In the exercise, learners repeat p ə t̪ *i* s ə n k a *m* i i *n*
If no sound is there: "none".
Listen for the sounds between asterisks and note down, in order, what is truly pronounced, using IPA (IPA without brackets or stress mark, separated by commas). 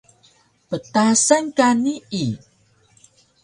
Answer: a, n, none